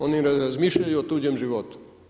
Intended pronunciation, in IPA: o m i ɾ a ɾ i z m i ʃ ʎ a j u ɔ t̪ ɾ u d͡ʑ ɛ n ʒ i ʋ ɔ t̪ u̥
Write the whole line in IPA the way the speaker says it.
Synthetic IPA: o n i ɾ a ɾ a z m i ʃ ʎ a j u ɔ t̪ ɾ u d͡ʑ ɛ m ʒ i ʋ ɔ t̪ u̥